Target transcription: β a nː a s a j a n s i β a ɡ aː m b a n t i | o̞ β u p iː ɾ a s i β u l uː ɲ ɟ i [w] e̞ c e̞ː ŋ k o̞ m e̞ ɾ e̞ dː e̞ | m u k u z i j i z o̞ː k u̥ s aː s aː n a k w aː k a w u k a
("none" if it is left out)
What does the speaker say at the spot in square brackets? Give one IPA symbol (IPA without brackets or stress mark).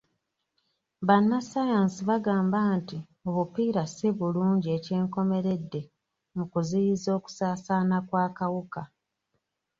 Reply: none